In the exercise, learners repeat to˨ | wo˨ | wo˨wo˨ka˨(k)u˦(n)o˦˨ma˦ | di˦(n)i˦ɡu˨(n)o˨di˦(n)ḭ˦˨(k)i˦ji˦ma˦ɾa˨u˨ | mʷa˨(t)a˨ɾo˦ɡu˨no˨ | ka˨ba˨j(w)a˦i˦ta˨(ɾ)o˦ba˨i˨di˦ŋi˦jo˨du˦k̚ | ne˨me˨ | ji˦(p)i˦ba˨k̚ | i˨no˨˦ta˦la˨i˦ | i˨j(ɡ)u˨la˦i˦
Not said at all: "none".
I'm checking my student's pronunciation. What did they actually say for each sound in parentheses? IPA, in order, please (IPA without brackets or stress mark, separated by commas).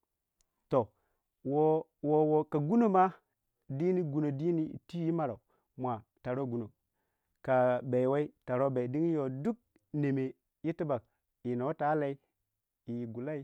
ɡ, n, n, n, n, t, t, w, ɾ, t, ɡ